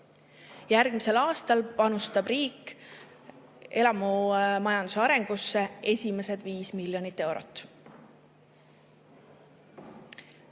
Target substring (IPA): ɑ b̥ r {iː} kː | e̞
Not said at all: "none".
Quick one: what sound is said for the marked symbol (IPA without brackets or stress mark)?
iː